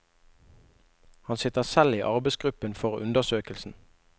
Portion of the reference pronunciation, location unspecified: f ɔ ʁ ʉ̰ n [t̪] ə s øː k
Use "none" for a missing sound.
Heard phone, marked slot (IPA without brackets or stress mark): d̪